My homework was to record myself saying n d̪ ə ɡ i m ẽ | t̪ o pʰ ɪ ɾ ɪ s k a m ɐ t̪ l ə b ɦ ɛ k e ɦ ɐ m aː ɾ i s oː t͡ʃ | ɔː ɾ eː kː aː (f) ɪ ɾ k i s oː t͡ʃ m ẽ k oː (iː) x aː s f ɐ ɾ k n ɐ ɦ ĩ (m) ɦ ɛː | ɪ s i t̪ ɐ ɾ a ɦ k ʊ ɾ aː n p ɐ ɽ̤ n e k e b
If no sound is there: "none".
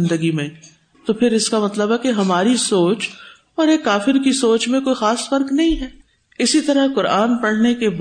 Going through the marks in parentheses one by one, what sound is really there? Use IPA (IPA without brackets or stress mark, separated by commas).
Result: f, i, none